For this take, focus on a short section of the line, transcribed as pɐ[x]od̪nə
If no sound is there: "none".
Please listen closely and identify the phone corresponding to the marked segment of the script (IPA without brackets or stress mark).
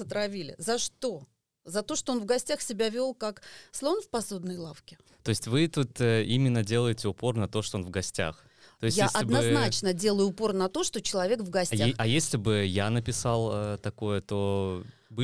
s